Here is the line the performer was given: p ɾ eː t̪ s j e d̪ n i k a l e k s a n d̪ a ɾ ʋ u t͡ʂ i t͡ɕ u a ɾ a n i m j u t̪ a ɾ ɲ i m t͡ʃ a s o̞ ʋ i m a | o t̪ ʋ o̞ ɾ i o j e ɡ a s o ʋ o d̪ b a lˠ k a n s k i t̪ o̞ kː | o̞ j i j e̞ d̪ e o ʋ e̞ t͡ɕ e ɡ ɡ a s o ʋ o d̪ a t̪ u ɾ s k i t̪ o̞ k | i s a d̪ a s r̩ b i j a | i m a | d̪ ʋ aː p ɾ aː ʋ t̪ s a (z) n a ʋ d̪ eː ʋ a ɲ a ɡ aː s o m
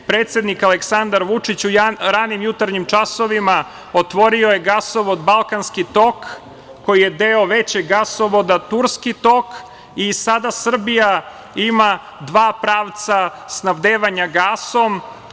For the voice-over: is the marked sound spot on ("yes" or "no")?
no